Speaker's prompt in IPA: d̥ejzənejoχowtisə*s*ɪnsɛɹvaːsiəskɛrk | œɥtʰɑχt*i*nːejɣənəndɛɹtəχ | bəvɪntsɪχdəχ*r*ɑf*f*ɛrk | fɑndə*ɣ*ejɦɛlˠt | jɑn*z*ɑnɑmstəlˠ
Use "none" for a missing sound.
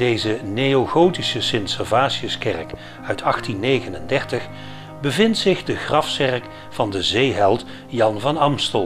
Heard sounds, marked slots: s, i, r, s, z, v

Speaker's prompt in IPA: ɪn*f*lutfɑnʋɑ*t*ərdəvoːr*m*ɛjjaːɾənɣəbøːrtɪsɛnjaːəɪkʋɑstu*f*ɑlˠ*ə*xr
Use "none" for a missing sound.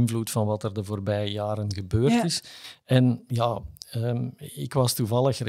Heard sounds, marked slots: v, t, b, v, ə

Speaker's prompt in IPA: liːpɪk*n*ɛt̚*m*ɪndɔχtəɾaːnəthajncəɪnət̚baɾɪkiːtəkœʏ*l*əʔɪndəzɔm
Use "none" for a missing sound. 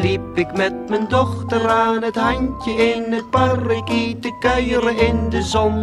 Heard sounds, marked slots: m, m, ɾ

